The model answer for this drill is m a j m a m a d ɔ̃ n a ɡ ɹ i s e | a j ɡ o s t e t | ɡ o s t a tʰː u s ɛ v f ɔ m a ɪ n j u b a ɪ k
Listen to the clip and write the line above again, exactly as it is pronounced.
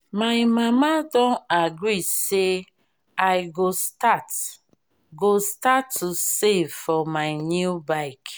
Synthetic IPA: m a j m a m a d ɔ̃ n a ɡ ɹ i s e | a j ɡ o s t a t | ɡ o s t a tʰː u s e v f ɔ m a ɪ n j u b a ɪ k